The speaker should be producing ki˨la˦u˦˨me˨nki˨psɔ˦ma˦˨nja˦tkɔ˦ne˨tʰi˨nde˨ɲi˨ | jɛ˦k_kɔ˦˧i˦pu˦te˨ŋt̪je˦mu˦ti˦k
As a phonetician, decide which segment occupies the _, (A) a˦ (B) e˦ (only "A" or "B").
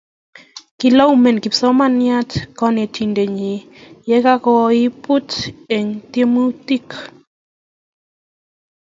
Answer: A